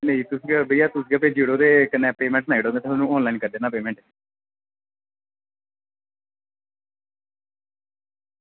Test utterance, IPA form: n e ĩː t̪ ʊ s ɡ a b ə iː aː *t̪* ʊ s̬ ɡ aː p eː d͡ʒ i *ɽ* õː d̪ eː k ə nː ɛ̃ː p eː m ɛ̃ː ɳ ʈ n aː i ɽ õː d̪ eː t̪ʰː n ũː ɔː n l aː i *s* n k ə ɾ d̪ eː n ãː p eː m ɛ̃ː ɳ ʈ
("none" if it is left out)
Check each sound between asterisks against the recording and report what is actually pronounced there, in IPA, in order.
t̪, ɽ, none

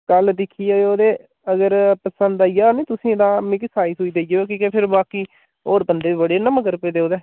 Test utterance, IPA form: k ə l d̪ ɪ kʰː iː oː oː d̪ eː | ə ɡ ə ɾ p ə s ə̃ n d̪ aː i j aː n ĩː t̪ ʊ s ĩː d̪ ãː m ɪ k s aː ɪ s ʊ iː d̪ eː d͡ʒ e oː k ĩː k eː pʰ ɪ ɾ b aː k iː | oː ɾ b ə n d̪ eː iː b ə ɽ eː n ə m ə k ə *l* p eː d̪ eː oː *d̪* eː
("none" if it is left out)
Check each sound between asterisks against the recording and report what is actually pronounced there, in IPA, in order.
ɾ, d̪

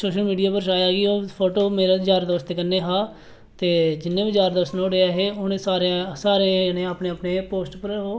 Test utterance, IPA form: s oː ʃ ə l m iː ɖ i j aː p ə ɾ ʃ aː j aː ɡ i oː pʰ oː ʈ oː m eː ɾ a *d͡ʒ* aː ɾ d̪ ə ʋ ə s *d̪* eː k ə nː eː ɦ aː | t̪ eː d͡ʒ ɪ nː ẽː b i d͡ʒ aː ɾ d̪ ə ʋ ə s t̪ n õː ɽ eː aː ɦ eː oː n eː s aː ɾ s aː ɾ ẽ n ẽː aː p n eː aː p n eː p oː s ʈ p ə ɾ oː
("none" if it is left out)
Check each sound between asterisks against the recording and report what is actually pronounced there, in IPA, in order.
d͡ʒ, t̪

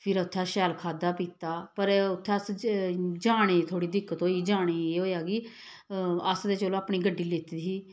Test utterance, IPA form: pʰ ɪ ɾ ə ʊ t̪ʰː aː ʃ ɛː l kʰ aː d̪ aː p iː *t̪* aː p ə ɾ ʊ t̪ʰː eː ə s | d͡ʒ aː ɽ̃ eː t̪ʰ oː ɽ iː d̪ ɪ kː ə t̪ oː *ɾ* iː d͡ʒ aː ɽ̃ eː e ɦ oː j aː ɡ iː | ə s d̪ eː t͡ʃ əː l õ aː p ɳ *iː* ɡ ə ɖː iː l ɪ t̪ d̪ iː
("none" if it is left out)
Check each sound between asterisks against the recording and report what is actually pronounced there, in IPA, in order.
t̪, none, iː

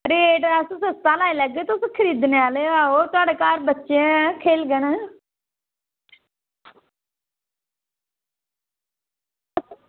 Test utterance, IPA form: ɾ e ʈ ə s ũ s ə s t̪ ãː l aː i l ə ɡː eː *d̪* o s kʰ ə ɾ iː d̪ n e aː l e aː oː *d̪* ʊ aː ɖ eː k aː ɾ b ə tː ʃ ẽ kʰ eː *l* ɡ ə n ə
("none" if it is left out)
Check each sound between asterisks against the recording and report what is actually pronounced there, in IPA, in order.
t̪, t̪, l

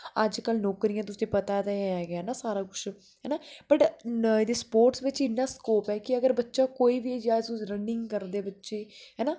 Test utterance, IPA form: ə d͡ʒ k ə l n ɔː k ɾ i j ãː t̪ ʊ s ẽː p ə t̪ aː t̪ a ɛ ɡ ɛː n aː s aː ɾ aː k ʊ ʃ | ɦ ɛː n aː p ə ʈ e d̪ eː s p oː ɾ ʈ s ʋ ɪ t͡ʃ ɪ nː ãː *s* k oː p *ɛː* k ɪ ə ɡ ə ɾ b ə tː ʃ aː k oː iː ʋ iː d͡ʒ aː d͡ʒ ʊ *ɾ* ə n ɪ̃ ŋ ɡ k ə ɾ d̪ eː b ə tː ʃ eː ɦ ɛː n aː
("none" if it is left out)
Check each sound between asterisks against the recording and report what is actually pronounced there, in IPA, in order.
s, ɛː, ɾ

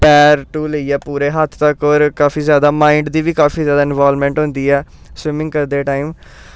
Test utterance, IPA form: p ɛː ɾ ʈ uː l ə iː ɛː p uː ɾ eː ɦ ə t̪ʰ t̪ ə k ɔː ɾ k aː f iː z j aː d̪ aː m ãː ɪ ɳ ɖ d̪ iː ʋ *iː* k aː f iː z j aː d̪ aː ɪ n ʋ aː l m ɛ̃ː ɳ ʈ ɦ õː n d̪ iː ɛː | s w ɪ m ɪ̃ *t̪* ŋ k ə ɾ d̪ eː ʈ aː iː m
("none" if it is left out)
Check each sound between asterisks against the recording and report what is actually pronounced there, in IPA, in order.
iː, none

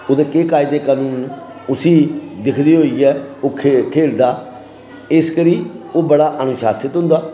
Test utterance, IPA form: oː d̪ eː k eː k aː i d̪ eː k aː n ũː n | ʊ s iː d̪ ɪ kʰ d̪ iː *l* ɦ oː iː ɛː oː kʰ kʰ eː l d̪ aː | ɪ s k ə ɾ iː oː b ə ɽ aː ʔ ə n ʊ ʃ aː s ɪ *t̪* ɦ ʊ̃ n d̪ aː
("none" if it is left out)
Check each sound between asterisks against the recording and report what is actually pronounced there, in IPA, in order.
none, t̪

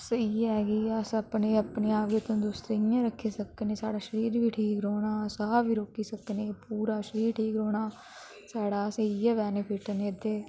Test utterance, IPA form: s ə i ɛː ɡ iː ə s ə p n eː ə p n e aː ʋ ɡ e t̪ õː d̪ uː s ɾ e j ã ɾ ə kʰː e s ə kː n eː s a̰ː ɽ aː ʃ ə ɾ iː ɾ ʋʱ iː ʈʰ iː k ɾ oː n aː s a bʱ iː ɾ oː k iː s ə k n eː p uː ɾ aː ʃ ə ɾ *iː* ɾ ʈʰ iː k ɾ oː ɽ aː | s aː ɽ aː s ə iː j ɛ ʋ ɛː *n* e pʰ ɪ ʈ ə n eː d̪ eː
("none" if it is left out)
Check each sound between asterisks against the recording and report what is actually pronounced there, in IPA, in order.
iː, n

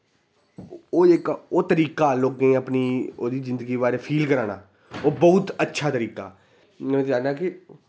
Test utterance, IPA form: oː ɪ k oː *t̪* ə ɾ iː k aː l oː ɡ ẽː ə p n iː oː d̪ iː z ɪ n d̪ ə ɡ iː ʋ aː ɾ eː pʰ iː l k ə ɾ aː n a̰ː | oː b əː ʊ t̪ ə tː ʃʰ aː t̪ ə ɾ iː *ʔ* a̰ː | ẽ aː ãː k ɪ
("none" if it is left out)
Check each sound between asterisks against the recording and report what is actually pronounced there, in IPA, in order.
t̪, k

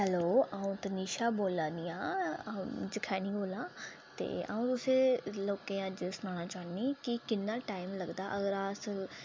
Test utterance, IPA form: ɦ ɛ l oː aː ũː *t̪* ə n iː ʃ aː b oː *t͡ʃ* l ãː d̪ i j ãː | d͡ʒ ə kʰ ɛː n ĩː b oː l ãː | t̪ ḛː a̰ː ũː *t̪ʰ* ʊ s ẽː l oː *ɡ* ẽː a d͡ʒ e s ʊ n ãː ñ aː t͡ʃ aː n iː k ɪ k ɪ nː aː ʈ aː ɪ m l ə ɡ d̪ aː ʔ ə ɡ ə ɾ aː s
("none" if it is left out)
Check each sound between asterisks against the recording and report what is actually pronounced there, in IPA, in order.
t̪, none, t̪, k

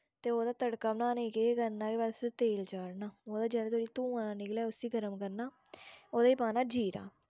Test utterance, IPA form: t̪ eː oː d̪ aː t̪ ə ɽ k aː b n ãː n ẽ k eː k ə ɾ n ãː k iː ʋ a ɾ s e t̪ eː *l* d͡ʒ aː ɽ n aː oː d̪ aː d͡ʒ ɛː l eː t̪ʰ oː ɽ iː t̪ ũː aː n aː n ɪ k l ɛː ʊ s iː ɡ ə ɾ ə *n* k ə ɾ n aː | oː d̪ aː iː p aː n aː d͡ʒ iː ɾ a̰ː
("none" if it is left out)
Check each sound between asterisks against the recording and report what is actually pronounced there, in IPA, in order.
l, m

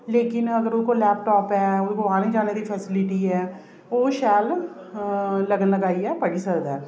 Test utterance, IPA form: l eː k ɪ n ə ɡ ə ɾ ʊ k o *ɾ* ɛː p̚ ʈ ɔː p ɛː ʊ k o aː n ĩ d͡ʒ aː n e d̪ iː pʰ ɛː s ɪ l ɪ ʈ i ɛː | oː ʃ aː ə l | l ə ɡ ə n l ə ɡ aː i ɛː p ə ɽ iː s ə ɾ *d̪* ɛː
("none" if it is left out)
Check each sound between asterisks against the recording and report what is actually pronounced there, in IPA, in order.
l, d̪

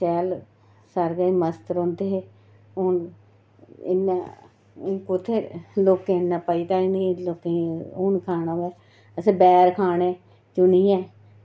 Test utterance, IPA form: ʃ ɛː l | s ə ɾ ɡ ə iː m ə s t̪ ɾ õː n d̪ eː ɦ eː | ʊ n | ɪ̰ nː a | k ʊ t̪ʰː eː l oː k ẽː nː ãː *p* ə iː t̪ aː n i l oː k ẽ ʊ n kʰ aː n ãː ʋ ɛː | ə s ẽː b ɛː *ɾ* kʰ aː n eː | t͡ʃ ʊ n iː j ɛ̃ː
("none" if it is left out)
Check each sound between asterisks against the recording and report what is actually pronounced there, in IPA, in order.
p, ɾ

